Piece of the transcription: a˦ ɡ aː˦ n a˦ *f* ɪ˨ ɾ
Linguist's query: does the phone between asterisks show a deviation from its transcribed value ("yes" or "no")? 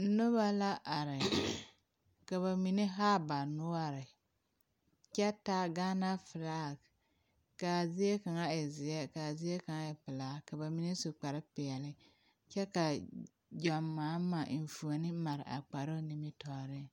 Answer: no